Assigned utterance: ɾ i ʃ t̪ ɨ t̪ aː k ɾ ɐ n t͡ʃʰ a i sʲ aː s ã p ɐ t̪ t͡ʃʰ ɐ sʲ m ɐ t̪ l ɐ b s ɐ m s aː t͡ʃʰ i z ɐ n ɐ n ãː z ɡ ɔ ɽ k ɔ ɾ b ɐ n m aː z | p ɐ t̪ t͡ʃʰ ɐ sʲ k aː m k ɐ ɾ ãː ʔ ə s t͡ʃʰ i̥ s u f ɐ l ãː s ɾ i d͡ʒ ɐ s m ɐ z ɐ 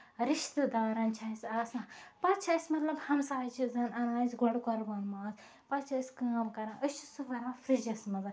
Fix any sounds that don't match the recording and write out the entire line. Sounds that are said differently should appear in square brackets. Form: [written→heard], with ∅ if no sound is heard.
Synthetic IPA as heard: ɾ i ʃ t̪ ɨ [t̪→d̪] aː [k→∅] ɾ ɐ n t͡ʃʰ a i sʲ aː s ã p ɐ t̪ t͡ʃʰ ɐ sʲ m ɐ t̪ l ɐ b [s→h] ɐ m s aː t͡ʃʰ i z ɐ n ɐ n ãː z ɡ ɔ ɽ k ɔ ɾ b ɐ n m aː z | p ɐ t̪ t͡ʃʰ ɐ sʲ k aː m k ɐ ɾ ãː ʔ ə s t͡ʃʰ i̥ s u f ɐ [l→ɾ] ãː [s→f] ɾ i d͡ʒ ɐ s m ɐ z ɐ

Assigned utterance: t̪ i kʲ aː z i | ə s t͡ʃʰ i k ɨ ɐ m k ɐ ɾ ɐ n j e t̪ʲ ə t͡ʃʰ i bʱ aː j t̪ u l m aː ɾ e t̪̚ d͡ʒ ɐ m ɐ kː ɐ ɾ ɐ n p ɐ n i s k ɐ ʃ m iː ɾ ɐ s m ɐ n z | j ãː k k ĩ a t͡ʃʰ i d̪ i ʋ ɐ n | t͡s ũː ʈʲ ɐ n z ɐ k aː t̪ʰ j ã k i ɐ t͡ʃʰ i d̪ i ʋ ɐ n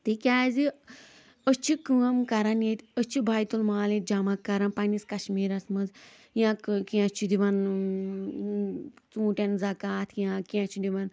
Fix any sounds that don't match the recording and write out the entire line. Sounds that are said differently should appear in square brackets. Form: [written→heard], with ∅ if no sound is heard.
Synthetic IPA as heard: t̪ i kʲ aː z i | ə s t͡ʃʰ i k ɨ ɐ m k ɐ ɾ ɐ n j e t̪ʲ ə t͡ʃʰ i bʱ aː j t̪ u l m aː [ɾ→l] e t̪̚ d͡ʒ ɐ m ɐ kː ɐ ɾ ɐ n p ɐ n i s k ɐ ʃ m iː ɾ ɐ s m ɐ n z | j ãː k k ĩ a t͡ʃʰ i d̪ i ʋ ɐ n | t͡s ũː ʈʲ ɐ n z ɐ k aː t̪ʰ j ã k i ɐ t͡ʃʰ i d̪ i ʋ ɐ n

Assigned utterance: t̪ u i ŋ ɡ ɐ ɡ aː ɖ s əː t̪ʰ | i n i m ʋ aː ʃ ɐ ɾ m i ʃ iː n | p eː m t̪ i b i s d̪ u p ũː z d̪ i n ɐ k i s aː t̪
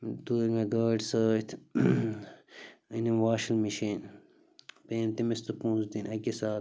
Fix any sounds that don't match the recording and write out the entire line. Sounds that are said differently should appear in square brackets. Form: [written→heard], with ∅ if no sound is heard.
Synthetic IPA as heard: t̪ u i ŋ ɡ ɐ ɡ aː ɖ s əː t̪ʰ | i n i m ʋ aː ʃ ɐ [ɾ→l] m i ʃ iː n | p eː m t̪ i [b→m] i s [d̪→t̪] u p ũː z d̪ i n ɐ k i s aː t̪

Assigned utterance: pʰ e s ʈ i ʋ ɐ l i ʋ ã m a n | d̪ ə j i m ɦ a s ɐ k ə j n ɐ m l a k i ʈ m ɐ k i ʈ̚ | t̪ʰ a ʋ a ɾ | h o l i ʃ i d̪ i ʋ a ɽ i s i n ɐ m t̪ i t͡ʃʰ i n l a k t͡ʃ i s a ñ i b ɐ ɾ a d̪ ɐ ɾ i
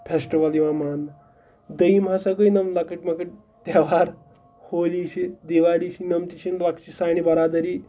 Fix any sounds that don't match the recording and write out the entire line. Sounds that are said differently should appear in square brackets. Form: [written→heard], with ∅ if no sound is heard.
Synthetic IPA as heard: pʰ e s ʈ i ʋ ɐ l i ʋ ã m a n | d̪ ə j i m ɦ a s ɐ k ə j n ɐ m l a k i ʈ m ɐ k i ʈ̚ | [t̪ʰ→t̪] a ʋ a ɾ | h o l i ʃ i d̪ i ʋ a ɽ i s i n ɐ m t̪ i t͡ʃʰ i n l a k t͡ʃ i s a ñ i b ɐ ɾ a d̪ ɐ ɾ i

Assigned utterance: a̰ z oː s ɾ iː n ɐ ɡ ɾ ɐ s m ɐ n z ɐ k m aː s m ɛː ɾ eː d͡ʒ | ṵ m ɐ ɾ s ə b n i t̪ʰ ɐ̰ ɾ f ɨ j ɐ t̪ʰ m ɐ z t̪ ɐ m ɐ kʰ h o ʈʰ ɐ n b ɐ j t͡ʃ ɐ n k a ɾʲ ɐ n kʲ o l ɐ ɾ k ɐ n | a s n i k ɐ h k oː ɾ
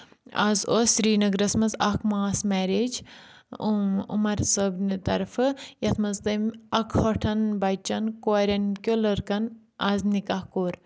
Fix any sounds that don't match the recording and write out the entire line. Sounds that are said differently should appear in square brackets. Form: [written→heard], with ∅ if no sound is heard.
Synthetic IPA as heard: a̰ z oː s ɾ iː n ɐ ɡ ɾ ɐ s m ɐ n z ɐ k m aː s m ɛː ɾ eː d͡ʒ | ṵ m ɐ ɾ s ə b n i [t̪ʰ→t̪] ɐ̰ ɾ f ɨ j ɐ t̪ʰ m ɐ z t̪ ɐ m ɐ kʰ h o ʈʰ ɐ n b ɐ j t͡ʃ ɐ n k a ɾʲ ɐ n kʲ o l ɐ ɾ k ɐ n | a [s→z] n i k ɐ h k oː ɾ

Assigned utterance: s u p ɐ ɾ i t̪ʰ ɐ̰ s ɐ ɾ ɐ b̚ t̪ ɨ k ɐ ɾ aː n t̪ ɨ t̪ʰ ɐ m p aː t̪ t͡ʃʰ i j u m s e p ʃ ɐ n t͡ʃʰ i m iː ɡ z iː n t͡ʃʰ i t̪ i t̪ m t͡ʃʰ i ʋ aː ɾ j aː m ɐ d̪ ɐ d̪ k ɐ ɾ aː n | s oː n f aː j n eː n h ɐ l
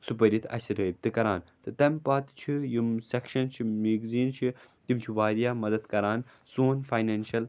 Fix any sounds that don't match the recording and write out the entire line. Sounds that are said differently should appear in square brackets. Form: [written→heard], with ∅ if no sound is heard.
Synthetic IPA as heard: s u p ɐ ɾ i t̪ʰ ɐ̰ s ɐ ɾ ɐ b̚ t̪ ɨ k ɐ ɾ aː n t̪ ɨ [t̪ʰ→t̪] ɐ m p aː t̪ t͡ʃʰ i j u m s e [p→k] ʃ ɐ n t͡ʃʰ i m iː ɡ z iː n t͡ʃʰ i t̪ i [t̪→∅] m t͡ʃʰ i ʋ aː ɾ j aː m ɐ d̪ ɐ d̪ k ɐ ɾ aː n | s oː n f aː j n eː n [h→ʃ] ɐ l

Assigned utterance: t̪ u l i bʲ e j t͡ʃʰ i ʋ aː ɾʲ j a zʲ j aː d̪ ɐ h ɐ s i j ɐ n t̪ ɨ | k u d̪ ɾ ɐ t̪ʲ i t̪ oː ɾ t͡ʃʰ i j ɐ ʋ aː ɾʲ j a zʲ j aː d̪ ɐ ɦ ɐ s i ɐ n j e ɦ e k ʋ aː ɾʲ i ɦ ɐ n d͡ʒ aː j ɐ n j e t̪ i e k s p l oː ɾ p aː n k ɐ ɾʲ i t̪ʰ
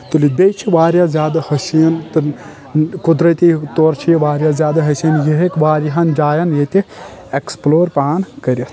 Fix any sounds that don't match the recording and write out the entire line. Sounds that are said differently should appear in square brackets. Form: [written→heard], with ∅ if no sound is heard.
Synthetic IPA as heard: t̪ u l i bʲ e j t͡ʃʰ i ʋ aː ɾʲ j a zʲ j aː d̪ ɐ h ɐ s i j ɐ n t̪ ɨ | k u d̪ ɾ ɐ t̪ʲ i t̪ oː ɾ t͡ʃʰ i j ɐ ʋ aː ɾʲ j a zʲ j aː d̪ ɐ ɦ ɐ s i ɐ n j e ɦ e k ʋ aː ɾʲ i ɦ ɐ n d͡ʒ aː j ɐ n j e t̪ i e k s p l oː ɾ p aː n k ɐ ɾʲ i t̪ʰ

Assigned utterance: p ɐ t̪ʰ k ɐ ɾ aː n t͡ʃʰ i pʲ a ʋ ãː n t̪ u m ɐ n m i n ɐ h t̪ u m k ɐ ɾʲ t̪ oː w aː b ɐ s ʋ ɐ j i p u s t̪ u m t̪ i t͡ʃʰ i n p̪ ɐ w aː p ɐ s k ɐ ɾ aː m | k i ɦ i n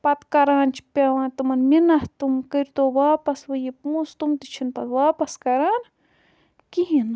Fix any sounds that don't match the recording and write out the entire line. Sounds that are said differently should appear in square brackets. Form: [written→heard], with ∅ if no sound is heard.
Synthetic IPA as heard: p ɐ [t̪ʰ→t̪] k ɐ ɾ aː n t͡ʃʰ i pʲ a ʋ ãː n t̪ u m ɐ n m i n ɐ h t̪ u m k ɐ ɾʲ t̪ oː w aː [b→p] ɐ s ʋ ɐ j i p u s t̪ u m t̪ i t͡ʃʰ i n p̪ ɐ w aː p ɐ s k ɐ ɾ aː [m→n] | k i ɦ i n

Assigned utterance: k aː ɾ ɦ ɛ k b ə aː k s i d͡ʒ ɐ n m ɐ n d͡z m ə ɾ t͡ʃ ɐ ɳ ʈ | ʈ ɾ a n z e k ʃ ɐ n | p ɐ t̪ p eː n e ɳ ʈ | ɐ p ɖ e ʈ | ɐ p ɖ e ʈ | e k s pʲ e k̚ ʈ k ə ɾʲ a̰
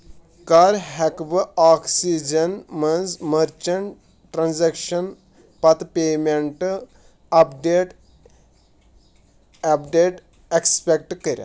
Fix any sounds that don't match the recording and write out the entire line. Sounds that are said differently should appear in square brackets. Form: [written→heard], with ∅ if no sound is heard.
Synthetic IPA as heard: k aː ɾ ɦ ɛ k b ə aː k s i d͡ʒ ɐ n m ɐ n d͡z m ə ɾ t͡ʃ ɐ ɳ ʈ | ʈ ɾ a n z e k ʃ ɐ n | p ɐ t̪ p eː [n→m] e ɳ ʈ | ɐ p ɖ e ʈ | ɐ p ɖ e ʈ | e k s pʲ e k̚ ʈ k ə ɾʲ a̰

